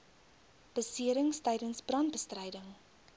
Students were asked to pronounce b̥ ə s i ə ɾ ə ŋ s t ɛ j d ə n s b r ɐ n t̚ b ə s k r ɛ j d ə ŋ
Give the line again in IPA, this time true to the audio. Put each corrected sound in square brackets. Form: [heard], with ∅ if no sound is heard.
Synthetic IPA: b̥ ə s i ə ɾ ə ŋ s t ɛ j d ə n s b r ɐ n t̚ b ə s [t] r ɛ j d ə ŋ